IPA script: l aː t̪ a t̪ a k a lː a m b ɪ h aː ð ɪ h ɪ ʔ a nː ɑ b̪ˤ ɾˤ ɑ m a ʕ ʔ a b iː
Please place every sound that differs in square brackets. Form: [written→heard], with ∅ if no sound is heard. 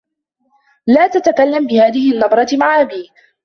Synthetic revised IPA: l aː t̪ a t̪ a k a lː a m b ɪ h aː ð ɪ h ɪ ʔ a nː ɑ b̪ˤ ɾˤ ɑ m a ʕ ʔ a b iː